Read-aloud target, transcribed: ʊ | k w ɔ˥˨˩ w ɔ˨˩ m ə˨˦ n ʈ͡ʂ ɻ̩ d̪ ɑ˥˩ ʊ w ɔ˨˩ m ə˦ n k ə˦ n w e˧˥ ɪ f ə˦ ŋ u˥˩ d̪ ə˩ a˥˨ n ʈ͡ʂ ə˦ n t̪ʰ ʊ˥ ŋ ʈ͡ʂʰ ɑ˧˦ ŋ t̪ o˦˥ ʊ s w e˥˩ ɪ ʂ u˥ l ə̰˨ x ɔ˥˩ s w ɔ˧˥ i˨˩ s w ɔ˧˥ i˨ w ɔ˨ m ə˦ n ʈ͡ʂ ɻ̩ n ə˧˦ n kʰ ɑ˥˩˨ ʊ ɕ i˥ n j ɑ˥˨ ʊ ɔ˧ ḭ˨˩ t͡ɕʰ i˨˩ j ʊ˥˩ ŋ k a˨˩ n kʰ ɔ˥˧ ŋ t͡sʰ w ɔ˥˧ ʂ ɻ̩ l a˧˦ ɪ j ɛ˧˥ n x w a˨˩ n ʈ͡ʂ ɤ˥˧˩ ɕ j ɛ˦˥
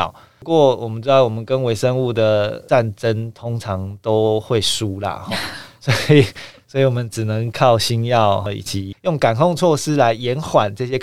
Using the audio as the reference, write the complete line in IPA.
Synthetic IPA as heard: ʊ | k w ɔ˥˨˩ w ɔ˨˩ m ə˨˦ n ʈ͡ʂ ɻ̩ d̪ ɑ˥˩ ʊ w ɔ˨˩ m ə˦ n k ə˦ n w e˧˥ ɪ ʂ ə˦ ŋ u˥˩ d̪ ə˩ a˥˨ n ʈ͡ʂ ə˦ n t̪ʰ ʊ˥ ŋ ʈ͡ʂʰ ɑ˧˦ ŋ t̪ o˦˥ ʊ x w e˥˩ ɪ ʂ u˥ l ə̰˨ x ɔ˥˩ s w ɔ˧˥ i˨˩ s w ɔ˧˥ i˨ w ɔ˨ m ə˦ n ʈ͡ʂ ɻ̩ n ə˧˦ ŋ kʰ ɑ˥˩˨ ʊ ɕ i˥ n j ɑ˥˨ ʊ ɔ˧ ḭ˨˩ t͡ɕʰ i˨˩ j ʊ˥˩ ŋ k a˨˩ n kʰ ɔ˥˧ ŋ t͡sʰ w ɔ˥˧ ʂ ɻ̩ l a˧˦ ɪ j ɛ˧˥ n x w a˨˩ n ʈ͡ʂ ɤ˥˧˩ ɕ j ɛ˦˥